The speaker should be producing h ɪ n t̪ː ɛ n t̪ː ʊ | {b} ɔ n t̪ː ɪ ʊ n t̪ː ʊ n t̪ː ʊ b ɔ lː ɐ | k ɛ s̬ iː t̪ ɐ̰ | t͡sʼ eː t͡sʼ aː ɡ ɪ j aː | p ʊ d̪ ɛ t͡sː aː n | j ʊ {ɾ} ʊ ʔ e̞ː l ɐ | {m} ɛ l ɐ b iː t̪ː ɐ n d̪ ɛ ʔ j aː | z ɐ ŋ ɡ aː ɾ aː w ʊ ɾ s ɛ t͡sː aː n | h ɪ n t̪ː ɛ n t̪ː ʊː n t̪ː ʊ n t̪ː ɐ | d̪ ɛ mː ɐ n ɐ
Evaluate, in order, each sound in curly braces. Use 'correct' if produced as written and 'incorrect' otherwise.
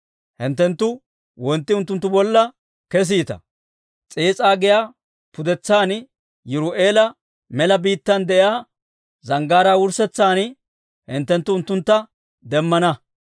incorrect: w, correct, correct

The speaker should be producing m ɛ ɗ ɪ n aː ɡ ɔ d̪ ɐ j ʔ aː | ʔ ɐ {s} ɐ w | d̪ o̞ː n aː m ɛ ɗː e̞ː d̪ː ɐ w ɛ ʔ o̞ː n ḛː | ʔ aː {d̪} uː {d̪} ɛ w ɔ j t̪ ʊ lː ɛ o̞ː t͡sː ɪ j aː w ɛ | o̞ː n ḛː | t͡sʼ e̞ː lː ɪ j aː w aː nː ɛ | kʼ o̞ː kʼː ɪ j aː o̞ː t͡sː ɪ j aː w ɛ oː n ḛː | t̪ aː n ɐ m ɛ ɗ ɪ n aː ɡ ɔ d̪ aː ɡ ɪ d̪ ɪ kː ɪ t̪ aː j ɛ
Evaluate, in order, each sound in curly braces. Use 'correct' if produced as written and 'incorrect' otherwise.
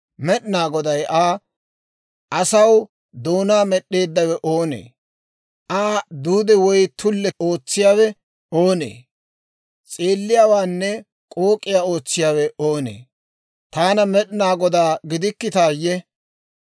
correct, correct, correct

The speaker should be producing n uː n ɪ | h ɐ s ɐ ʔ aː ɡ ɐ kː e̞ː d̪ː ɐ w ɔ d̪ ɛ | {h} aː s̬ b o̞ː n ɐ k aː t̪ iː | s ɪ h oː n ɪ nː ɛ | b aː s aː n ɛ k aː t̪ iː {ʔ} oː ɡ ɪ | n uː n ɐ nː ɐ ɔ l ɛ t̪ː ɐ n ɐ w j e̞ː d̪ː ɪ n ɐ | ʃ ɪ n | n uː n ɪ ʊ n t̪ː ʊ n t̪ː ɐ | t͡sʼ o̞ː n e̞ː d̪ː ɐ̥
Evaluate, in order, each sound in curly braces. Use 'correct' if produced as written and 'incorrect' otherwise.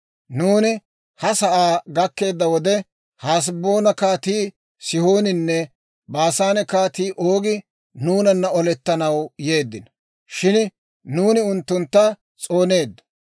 correct, correct

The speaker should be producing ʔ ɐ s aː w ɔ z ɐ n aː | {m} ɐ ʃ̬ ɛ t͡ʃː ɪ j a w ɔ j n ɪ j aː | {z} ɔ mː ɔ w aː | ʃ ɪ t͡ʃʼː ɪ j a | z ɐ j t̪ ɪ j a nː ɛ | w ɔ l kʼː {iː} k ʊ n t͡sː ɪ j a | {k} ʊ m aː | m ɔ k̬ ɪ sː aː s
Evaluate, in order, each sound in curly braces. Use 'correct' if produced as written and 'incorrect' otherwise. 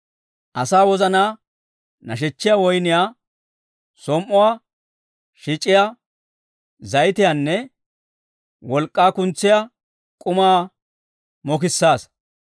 incorrect: n, incorrect: s, incorrect: aː, incorrect: kʼ

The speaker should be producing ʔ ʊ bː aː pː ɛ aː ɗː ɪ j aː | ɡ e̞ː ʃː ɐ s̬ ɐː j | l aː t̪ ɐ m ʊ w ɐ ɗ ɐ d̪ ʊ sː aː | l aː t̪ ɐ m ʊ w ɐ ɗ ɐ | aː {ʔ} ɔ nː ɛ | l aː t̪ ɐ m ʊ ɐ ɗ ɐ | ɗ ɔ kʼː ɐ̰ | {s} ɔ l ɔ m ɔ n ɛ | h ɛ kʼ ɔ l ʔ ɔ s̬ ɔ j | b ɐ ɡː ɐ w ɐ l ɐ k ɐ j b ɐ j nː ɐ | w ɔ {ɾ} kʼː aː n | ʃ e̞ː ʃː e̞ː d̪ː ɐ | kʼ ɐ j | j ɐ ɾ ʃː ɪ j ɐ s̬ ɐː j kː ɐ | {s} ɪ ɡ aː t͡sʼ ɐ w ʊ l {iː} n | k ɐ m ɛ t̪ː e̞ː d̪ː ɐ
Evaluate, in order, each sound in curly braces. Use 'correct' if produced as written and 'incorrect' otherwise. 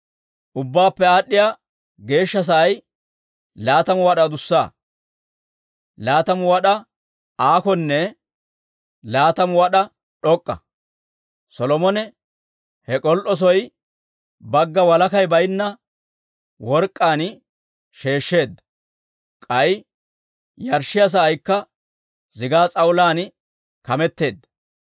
incorrect: k, correct, correct, incorrect: z, incorrect: aː

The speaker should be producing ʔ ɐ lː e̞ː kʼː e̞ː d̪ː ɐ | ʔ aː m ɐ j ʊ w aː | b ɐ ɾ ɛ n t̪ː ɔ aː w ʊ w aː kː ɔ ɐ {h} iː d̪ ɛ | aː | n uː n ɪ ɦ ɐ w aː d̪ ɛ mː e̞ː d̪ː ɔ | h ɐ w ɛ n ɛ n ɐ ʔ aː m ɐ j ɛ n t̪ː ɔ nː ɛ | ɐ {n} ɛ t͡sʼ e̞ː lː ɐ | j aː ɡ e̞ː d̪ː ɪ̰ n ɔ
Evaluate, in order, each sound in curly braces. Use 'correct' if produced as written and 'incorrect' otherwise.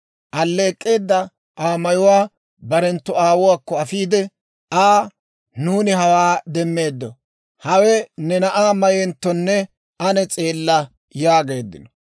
incorrect: f, correct

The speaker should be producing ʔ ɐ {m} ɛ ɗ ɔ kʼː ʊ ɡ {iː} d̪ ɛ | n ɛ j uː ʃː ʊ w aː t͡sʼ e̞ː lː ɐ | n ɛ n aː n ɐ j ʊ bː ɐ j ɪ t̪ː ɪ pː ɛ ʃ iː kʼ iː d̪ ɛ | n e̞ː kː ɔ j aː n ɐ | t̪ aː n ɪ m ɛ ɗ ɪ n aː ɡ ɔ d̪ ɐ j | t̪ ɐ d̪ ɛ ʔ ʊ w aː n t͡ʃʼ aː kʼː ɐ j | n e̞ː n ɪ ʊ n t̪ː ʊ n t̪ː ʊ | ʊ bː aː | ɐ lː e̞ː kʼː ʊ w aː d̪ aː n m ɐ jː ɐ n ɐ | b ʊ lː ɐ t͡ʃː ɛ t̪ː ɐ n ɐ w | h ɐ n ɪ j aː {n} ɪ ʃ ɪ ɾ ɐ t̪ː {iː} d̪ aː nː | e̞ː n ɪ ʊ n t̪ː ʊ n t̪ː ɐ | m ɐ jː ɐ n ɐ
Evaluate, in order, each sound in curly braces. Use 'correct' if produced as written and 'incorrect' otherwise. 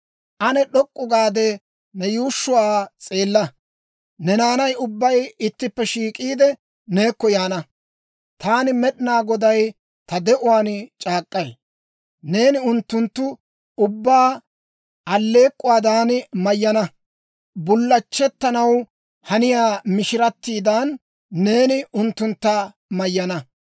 incorrect: n, incorrect: aː, incorrect: m, correct

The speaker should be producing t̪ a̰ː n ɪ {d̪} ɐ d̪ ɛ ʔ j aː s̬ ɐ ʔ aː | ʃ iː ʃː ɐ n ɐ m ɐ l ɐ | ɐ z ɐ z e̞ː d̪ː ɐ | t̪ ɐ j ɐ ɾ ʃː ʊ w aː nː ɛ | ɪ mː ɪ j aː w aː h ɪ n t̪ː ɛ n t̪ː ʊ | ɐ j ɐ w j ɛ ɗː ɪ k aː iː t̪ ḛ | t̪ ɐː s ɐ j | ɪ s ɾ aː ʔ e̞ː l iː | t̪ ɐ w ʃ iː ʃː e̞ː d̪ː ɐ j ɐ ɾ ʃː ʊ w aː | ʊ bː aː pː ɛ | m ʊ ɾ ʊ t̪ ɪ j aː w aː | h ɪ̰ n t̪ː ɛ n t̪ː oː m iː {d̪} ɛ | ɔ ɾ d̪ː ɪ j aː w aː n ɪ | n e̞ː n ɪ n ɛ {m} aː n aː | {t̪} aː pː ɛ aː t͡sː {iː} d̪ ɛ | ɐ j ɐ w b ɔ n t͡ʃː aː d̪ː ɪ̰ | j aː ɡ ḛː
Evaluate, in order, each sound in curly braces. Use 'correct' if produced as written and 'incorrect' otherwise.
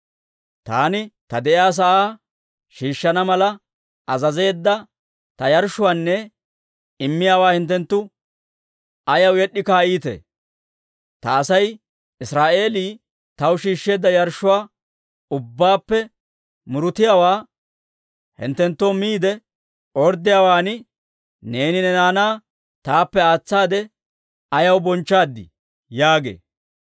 incorrect: t̪, correct, incorrect: n, correct, incorrect: aː

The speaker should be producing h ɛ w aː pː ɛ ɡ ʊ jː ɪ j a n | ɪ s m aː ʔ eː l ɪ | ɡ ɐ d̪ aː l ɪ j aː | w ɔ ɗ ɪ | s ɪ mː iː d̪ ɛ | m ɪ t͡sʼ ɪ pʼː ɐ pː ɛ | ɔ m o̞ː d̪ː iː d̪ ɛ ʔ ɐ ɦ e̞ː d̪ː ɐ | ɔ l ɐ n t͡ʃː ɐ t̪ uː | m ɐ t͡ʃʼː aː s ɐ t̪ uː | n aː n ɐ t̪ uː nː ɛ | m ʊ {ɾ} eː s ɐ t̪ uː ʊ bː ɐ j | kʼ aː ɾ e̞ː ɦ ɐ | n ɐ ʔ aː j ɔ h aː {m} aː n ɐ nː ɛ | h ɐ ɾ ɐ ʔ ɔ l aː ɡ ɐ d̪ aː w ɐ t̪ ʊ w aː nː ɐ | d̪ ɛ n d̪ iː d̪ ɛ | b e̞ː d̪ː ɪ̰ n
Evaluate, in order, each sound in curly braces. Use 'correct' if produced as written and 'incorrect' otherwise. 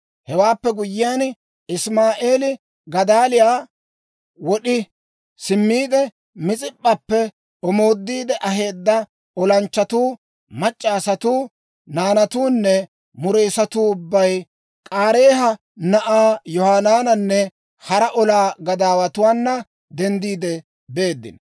correct, incorrect: n

